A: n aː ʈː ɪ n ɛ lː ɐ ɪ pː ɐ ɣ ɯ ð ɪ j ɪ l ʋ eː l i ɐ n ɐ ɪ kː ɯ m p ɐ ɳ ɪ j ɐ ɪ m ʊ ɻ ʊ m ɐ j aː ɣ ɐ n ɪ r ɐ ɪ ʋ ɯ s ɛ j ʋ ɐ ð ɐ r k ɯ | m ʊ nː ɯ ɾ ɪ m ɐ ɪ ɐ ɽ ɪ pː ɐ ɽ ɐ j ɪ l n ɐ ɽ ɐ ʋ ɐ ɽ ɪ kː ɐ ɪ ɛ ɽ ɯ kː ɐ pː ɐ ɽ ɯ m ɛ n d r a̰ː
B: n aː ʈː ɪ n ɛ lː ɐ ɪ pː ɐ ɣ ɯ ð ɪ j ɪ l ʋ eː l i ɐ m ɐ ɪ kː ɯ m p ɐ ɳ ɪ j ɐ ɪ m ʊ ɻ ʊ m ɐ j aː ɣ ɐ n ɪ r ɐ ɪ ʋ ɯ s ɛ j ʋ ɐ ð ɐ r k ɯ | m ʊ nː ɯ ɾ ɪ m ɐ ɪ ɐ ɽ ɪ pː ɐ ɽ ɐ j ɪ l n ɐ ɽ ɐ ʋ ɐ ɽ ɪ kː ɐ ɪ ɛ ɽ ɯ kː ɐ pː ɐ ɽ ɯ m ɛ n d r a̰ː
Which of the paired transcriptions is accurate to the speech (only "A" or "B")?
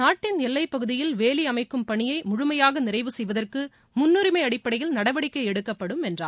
B